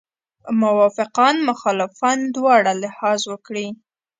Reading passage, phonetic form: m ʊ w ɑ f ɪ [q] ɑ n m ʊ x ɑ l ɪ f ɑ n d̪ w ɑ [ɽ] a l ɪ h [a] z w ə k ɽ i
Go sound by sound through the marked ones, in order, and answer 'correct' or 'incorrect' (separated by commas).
correct, correct, incorrect